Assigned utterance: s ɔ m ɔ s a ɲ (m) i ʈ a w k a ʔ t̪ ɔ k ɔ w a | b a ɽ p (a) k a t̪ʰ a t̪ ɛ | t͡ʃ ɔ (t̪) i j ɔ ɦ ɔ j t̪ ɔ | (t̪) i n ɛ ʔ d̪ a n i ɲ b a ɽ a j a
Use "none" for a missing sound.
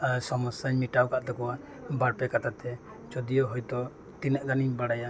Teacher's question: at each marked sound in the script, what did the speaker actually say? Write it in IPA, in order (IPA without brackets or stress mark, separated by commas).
m, ɛ, d̪, t̪